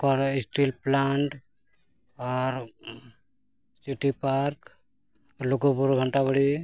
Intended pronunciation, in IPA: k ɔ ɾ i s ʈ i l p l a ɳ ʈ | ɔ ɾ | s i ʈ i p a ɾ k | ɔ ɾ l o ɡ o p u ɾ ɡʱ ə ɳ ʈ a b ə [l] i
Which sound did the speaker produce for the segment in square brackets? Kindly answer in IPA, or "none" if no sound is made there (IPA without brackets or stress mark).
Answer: ɽ